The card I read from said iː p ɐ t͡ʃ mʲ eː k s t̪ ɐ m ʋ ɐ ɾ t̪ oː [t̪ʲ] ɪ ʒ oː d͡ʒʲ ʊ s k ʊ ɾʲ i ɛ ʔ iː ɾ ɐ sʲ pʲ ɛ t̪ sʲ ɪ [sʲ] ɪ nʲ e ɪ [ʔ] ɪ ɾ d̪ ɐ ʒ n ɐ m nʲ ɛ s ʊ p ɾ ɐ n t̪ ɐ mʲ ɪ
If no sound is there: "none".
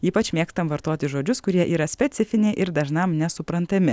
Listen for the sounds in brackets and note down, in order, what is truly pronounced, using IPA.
t̪ʲ, fʲ, ʔ

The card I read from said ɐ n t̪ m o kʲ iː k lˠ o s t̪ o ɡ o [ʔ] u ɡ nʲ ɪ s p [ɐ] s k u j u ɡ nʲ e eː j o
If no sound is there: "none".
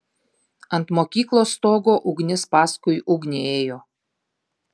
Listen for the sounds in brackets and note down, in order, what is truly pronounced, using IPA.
ʔ, ɑ

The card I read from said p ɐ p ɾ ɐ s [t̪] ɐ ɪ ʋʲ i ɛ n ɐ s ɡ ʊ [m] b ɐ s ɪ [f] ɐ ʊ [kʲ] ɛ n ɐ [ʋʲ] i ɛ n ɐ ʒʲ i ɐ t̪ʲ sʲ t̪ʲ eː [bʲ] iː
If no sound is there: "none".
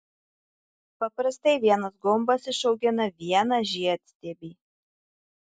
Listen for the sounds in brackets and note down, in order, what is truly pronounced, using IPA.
t̪, m, ʃ, ɡʲ, ʋʲ, bʲ

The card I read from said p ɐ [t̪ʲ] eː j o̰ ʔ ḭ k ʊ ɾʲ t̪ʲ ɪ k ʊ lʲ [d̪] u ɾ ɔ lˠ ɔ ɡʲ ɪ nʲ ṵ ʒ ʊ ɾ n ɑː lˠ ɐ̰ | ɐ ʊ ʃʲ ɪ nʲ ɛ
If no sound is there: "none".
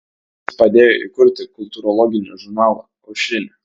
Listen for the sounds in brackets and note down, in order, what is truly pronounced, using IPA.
d̪ʲ, t̪

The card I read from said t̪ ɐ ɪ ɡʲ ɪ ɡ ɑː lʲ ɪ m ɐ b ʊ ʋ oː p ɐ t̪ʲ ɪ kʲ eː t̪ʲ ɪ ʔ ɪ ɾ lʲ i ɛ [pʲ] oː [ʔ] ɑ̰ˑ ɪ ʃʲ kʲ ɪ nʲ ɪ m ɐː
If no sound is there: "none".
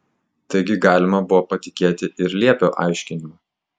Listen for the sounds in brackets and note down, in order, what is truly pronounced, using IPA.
pʲ, ʔ

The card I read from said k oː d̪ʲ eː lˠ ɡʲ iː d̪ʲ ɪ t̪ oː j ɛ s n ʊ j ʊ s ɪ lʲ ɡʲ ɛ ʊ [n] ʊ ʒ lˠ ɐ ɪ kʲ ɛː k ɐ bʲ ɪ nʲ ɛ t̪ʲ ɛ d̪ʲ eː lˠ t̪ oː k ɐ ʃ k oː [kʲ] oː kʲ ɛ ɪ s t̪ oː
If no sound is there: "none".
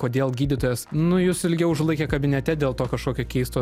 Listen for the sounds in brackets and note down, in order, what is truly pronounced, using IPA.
none, kʲ

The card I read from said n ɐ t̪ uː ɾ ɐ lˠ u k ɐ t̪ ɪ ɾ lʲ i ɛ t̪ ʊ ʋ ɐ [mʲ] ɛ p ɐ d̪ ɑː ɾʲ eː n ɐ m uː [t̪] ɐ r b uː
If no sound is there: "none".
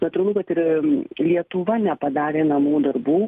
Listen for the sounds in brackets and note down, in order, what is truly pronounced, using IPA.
nʲ, d̪

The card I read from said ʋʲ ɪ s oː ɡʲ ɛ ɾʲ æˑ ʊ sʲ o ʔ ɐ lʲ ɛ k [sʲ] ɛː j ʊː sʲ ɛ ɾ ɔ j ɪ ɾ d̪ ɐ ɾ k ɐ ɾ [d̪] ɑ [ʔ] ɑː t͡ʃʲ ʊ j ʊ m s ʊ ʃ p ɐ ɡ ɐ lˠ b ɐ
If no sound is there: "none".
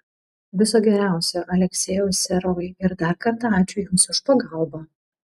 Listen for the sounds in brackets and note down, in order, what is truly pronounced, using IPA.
sʲ, t̪, none

